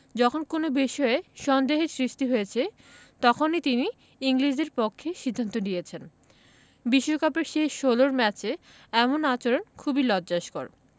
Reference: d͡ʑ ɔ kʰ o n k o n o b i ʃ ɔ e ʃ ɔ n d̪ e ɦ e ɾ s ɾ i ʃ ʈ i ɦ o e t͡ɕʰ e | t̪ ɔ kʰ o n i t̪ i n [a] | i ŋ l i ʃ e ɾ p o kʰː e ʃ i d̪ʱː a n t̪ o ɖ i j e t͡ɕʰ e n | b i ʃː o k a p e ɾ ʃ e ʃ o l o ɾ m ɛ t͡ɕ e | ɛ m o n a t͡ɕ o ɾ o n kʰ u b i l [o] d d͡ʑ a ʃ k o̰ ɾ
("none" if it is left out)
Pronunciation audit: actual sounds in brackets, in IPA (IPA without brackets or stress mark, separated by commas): i, ɔ